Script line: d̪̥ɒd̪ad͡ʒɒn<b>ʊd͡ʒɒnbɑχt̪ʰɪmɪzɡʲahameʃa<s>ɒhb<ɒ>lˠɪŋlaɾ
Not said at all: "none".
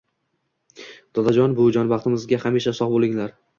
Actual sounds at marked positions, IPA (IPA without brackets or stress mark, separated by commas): b, s, o